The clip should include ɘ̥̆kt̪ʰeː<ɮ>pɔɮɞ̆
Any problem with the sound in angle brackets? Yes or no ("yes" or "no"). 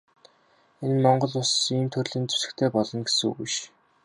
yes